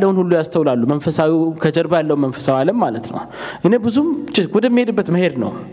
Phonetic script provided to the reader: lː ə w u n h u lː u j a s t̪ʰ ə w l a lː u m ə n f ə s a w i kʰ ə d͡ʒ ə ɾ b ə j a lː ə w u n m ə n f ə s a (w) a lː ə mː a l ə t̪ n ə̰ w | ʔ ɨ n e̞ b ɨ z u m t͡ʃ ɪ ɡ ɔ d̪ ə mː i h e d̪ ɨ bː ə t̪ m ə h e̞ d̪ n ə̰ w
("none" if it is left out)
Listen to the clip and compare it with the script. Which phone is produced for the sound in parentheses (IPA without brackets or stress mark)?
w